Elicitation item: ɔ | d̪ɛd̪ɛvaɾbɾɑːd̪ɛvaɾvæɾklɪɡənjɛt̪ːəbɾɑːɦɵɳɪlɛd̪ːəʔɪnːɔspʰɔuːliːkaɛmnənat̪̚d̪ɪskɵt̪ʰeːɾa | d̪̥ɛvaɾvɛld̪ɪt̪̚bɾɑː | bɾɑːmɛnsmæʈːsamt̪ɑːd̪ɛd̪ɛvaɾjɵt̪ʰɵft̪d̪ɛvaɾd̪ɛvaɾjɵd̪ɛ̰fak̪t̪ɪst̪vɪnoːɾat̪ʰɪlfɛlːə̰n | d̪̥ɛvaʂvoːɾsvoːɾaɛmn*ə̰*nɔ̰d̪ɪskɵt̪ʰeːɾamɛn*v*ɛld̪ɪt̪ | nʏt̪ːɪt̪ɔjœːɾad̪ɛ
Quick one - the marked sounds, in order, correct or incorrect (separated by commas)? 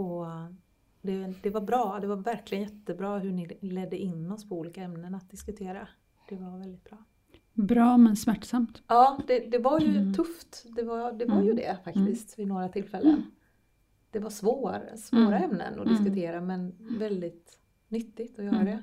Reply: correct, correct